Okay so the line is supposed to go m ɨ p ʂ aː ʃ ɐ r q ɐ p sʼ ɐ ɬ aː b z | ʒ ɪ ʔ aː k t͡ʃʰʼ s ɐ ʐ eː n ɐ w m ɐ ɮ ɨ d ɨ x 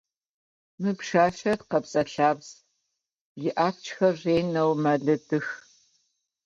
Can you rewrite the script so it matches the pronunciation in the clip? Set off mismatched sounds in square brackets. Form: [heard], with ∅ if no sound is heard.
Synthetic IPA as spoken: m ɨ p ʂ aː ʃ ɐ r q ɐ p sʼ ɐ ɬ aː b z | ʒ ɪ ʔ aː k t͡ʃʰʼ [x] ɐ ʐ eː n ɐ w m ɐ ɮ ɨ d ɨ x